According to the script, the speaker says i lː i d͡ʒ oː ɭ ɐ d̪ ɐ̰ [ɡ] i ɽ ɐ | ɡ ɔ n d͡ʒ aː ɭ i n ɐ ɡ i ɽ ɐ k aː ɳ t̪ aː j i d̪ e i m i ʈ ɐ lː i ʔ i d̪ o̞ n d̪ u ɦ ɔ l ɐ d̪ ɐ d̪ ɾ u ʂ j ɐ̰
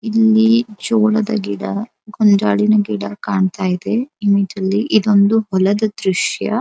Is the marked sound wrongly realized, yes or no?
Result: no